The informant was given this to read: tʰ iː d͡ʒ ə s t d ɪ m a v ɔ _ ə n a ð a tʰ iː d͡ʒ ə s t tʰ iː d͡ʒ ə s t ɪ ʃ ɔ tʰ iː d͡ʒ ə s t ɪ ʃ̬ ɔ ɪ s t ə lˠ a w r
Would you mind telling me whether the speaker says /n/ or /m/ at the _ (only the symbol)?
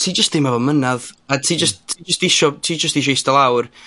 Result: m